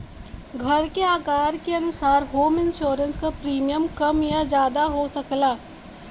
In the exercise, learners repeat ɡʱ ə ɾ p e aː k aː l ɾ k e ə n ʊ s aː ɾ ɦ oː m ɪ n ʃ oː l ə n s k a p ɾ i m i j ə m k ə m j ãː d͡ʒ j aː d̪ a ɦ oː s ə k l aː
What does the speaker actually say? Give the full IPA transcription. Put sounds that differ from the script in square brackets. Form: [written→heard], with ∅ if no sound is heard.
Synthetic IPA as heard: ɡʱ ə ɾ [p→k] e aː k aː [l→∅] ɾ k e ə n ʊ s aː ɾ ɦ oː m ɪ n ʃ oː [l→ɾ] ə n s k a p ɾ [i→iː] m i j ə m k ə m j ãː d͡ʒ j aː d̪ a ɦ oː s ə k l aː

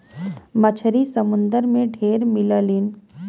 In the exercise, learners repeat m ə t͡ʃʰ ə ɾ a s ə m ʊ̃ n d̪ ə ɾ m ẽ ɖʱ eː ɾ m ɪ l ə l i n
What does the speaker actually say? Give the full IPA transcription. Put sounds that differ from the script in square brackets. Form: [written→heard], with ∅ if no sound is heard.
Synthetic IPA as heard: m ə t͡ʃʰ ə ɾ [a→i] s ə m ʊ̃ n d̪ ə ɾ m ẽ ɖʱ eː ɾ m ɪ l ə l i n

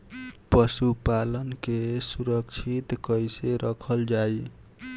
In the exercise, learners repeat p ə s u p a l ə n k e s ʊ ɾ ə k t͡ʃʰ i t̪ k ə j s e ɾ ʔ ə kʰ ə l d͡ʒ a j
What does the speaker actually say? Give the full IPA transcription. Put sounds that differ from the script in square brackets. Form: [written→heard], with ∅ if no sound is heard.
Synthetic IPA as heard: p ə s u p a l ə n k e s [ʊ→u] ɾ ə k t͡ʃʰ i t̪ k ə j s e ɾ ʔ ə kʰ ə l d͡ʒ a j

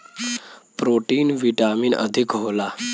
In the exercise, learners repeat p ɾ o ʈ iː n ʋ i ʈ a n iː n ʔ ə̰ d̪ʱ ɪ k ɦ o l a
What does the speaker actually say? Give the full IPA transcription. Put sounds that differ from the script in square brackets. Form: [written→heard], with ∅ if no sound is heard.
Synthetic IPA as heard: p ɾ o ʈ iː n ʋ i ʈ a [n→m] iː n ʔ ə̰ d̪ʱ [ɪ→i] k ɦ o l a

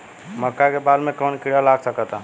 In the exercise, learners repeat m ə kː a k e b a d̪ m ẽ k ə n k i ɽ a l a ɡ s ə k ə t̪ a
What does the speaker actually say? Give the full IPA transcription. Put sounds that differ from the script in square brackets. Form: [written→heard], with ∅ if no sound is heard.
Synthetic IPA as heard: m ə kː a k e b a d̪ m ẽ k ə n k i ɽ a l a ɡ s ə k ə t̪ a

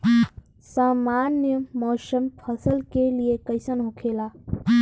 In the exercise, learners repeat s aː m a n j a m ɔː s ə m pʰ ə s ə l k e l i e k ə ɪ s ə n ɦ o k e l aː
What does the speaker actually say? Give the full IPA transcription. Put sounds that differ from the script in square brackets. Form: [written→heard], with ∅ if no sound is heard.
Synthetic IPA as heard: s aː m a n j [a→ə] m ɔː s ə m pʰ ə s ə l k e l i e k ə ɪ s ə n ɦ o [k→kʰ] e l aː

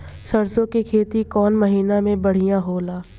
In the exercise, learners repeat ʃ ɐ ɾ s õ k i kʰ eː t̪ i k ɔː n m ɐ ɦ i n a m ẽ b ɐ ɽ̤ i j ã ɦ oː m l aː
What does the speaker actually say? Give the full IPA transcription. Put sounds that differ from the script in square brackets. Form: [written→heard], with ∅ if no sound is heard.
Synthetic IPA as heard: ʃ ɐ ɾ s õ k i kʰ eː t̪ i k ɔː n m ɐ ɦ [i→iː] n a m ẽ b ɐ ɽ̤ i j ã ɦ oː [m→∅] l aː

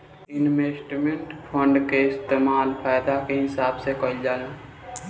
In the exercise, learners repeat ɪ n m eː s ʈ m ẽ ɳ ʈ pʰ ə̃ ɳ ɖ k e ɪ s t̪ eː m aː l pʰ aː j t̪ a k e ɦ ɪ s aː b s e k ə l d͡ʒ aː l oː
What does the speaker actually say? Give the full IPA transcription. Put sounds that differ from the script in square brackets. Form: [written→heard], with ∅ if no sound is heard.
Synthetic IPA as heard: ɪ n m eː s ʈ m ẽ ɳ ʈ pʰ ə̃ ɳ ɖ k e ɪ s t̪ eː m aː l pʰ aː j [t̪→d̪] a k e ɦ ɪ s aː b s e k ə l d͡ʒ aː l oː

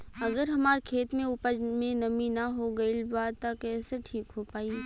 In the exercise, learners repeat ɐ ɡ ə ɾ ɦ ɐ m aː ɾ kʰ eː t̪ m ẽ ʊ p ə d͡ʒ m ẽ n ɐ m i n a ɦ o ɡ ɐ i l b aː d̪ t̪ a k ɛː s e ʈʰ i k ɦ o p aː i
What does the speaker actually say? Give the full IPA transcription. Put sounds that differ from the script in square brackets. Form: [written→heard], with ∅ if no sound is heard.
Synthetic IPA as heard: ɐ ɡ ə ɾ ɦ ɐ m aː ɾ kʰ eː t̪ m ẽ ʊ p ə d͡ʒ m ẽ n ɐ m i n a ɦ o ɡ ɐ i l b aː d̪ t̪ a k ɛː s e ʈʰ [i→iː] k ɦ o p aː i

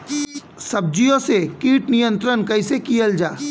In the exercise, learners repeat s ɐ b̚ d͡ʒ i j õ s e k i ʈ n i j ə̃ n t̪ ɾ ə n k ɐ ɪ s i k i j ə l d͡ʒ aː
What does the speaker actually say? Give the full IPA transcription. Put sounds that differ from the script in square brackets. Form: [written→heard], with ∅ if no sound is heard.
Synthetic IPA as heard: s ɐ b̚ d͡ʒ i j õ s e k [i→iː] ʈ n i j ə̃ n t̪ ɾ ə n k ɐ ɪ s [i→e] k i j ə l d͡ʒ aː

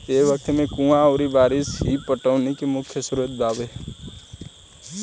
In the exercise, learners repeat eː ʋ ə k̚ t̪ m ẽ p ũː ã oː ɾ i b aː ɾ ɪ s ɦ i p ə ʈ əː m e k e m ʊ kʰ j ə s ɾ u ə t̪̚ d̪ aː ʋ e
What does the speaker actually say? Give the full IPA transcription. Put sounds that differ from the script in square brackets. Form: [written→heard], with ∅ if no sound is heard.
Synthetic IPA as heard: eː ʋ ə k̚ t̪ m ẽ [p→k] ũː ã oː ɾ i b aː ɾ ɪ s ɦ i p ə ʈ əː [m→n] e k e m ʊ kʰ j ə s ɾ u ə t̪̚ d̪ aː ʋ e

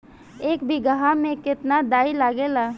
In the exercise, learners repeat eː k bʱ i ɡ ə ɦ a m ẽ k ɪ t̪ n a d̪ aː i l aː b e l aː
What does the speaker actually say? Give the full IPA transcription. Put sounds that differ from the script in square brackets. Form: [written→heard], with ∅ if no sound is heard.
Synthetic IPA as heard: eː k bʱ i ɡ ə ɦ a m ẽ k ɪ t̪ n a d̪ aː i l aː [b→ɡ] e l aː

